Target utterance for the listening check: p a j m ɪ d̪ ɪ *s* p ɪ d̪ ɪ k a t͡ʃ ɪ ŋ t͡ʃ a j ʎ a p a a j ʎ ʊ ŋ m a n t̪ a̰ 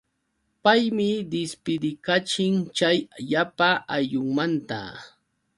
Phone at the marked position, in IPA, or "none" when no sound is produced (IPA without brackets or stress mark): s